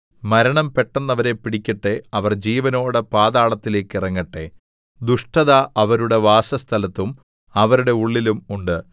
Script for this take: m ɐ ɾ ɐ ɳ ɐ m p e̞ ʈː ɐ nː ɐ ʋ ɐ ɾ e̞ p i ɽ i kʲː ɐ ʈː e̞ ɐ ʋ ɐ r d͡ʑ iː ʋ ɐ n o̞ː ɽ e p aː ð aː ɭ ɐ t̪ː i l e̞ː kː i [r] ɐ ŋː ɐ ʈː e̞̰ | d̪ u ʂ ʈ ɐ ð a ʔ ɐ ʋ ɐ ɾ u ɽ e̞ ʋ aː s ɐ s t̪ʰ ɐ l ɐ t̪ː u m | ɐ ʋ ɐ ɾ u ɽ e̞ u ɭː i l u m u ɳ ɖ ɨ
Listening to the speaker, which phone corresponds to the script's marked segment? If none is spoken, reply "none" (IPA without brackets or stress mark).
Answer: r